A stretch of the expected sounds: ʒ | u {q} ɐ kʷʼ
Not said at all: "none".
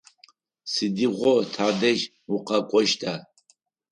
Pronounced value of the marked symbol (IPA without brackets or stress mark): q